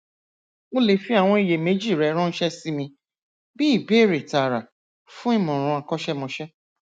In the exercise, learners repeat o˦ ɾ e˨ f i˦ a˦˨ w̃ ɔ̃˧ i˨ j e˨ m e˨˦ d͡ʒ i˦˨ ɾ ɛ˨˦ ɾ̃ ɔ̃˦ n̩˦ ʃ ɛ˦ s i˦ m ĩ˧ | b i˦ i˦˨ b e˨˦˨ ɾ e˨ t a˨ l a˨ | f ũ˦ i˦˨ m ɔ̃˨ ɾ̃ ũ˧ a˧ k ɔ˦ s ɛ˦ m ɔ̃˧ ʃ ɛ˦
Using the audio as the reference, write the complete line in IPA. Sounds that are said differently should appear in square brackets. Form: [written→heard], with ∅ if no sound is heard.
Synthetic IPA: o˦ [ɾ→l] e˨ f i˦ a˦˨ w̃ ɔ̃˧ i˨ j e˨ m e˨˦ d͡ʒ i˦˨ ɾ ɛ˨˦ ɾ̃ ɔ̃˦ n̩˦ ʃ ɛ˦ s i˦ m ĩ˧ | b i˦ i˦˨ b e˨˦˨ ɾ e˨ t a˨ [l→ɾ] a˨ | f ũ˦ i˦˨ m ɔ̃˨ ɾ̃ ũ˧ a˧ k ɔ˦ [s→ʃ] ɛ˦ m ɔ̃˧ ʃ ɛ˦